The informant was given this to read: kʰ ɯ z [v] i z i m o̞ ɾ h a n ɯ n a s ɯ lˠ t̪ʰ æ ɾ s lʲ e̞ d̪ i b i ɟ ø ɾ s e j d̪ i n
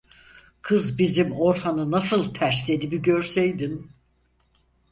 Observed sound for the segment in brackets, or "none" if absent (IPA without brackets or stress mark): b